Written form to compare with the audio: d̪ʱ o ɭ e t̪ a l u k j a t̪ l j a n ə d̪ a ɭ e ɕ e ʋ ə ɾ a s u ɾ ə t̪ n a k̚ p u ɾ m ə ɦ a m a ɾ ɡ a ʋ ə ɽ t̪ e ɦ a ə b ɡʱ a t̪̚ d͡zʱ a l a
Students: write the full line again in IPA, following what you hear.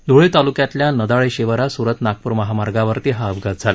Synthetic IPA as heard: d̪ʱ o ɭ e t̪ a l u k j a t̪ l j a n ə d̪ a ɭ e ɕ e ʋ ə ɾ a s u ɾ ə t̪ n a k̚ p u ɾ m ə ɦ a m a ɾ ɡ a ʋ ə ɾ t̪ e ɦ a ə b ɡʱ a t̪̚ d͡zʱ a l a